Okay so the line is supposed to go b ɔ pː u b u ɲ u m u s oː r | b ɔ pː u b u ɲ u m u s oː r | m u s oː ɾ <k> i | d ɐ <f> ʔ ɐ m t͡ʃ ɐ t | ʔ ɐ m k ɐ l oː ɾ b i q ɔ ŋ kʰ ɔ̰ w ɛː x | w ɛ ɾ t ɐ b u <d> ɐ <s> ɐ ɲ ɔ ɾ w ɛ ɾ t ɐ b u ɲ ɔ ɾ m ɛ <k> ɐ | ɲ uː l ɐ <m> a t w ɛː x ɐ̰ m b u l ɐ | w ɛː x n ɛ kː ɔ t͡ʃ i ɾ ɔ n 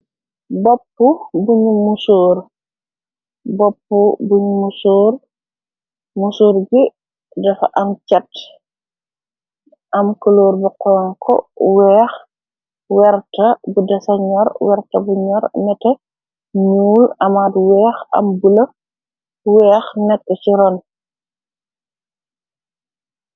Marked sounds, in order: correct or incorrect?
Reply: incorrect, correct, correct, correct, incorrect, correct

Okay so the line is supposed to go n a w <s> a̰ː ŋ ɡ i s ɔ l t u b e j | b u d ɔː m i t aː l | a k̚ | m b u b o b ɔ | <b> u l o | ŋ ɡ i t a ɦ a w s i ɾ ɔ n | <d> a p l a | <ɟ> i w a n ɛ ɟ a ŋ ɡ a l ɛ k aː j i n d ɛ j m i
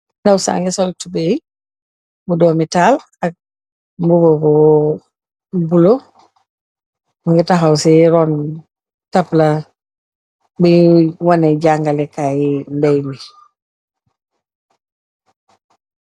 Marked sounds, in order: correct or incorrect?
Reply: correct, correct, incorrect, incorrect

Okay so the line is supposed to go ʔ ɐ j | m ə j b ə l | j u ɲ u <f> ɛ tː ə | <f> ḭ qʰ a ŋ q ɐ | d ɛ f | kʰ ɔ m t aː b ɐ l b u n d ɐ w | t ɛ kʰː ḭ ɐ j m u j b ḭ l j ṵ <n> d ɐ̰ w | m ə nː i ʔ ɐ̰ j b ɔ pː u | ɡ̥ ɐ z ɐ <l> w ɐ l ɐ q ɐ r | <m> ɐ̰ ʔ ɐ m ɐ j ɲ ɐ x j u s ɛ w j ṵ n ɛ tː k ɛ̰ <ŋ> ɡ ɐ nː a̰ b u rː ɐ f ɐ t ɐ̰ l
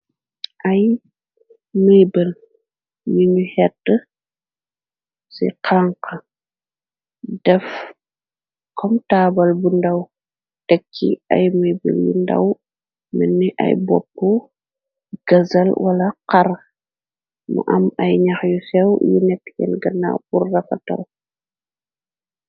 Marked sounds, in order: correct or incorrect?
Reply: incorrect, incorrect, correct, correct, correct, incorrect

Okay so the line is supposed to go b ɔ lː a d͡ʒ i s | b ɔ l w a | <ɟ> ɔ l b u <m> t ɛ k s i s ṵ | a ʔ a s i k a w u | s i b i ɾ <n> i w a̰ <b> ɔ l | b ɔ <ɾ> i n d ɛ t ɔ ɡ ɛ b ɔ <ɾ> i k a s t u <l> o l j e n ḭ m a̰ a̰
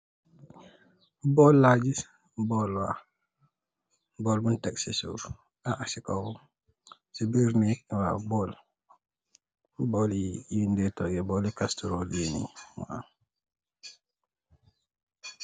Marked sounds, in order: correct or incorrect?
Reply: incorrect, incorrect, correct, correct, incorrect, incorrect, incorrect

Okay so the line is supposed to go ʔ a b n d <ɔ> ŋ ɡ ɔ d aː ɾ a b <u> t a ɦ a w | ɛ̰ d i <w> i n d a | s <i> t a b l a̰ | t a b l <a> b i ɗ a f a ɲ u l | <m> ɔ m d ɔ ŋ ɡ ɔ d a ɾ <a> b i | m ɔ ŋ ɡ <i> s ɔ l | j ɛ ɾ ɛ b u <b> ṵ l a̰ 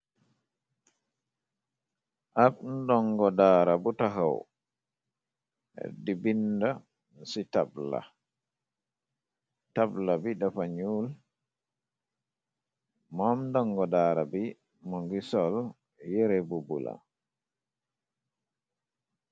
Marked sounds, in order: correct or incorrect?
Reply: correct, correct, incorrect, correct, correct, correct, correct, correct, correct

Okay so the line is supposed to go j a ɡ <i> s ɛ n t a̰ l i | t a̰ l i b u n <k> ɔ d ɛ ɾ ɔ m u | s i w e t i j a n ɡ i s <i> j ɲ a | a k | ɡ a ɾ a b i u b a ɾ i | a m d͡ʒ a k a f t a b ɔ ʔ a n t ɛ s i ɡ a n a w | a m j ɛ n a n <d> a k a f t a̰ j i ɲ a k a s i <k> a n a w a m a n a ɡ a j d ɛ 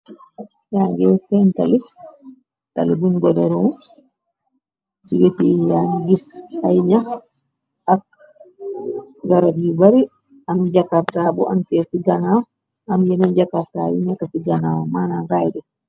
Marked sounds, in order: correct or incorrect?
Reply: incorrect, incorrect, incorrect, incorrect, incorrect

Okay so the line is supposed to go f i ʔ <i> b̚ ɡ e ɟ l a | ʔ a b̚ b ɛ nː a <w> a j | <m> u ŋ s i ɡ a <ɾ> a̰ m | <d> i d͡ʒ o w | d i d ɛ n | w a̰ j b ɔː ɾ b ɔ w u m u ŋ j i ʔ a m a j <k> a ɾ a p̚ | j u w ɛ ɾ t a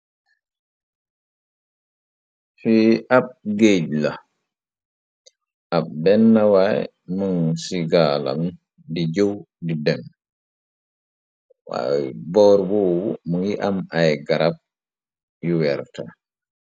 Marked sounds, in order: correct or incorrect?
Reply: incorrect, correct, correct, incorrect, correct, incorrect

